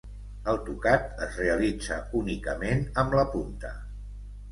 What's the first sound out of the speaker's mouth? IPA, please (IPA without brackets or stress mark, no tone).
ə